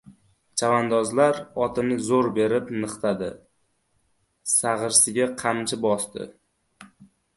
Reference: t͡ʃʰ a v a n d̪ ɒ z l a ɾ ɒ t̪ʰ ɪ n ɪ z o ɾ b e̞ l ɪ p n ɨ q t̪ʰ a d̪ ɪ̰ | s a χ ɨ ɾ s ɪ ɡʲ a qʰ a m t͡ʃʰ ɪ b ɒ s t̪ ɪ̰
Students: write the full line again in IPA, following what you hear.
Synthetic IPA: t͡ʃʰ a v a n d̪ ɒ z l a ɾ ɒ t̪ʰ ɪ n ɪ z o ɾ b e̞ ɾ ɪ p n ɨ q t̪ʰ a d̪ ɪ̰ | s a ʁ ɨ ɾ s ɪ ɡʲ a qʰ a m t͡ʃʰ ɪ b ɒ s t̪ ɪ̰